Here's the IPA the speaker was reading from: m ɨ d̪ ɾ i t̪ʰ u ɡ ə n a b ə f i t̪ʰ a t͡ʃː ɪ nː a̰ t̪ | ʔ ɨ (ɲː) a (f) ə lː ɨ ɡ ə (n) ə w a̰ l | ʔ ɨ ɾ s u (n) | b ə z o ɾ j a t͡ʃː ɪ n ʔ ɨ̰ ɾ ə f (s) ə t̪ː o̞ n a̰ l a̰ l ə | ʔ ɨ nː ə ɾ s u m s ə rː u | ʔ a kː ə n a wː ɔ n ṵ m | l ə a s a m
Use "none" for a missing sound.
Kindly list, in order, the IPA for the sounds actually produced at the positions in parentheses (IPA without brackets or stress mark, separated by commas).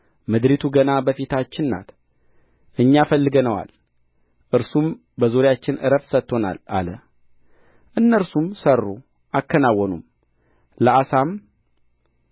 ɲː, f, n, m, s